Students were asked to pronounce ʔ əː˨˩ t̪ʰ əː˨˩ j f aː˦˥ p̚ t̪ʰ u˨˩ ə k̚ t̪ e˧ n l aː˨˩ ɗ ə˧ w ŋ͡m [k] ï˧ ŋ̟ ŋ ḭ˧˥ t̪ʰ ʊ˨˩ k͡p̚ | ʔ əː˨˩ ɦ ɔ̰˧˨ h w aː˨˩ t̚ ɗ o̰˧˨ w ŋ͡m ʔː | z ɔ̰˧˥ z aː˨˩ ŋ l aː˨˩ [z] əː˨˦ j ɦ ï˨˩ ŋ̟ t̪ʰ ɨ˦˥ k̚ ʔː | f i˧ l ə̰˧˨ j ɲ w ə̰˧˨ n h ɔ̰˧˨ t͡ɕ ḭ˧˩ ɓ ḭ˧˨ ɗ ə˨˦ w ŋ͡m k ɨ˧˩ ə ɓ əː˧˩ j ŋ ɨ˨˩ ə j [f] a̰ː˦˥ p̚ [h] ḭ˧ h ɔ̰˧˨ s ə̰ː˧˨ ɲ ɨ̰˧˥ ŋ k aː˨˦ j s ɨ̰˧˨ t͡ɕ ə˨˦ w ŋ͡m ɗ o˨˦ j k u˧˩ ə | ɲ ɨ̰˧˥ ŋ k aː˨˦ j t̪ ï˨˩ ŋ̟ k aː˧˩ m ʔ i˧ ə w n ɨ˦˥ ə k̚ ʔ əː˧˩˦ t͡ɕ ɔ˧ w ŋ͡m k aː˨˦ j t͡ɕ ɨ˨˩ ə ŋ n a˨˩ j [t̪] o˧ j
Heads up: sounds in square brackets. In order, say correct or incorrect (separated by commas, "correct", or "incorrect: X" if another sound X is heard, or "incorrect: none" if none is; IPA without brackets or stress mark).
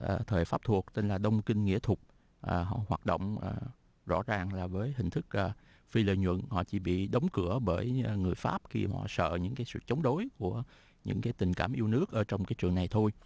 correct, incorrect: v, correct, incorrect: x, incorrect: t̪ʰ